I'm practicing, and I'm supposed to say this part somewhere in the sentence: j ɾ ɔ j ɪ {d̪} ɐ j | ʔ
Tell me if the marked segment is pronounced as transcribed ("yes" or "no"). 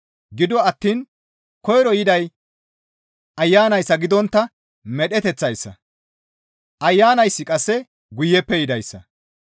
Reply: yes